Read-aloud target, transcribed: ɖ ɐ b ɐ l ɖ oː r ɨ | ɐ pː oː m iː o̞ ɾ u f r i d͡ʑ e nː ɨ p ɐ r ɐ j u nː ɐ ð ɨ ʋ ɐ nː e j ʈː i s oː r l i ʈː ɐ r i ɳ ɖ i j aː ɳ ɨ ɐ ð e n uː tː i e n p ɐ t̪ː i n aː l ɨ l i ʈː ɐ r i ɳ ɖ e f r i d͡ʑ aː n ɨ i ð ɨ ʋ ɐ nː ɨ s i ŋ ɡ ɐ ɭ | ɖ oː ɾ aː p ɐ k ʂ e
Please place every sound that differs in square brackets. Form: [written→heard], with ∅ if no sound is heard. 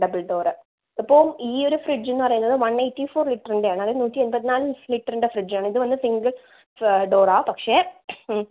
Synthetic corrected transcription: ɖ ɐ b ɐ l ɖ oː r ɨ | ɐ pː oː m iː o̞ ɾ u f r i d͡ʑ e nː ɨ p ɐ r ɐ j u nː ɐ ð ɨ ʋ ɐ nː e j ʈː i [s→f] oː r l i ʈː ɐ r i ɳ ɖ [i→e] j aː ɳ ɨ ɐ ð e n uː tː i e n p ɐ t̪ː i n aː l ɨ l i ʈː ɐ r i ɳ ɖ e f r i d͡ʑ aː [n→ɳ] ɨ i ð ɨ ʋ ɐ nː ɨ s i ŋ ɡ ɐ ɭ | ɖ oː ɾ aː p ɐ k ʂ e